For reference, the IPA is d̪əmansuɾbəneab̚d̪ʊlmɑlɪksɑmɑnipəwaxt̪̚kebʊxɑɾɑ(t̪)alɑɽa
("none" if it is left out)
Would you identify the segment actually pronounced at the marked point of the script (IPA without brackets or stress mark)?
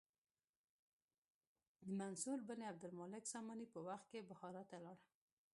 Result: t̪